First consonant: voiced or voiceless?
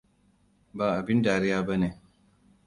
voiced